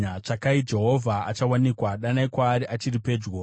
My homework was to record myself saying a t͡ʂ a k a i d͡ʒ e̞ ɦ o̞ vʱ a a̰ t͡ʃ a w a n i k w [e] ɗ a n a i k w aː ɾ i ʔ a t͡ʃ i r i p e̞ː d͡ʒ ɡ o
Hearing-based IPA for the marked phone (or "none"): a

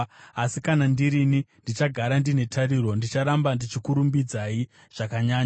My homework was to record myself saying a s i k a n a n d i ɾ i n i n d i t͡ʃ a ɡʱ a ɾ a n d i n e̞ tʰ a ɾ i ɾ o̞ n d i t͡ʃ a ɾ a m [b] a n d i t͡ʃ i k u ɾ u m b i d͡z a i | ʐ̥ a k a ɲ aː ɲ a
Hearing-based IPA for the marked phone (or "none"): b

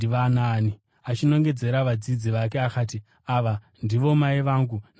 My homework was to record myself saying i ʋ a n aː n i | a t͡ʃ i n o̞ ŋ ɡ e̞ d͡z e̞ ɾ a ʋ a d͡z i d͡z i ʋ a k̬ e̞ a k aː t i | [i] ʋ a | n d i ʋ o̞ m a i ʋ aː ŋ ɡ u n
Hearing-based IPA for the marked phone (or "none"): a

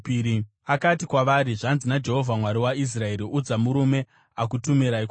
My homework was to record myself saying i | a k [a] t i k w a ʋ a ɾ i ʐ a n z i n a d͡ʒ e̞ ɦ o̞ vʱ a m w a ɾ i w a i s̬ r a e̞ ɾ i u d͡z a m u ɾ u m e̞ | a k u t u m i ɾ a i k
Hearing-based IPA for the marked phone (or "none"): a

